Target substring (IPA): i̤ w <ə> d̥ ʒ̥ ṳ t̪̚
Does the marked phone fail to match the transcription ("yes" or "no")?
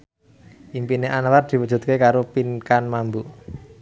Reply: no